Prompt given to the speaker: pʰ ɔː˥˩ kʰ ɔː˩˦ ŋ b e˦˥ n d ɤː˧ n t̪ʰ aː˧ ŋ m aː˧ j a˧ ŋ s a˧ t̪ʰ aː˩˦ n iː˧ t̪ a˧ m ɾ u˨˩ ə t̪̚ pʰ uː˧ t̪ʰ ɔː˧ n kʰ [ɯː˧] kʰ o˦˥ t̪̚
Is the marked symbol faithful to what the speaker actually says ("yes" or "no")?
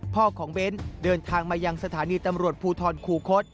no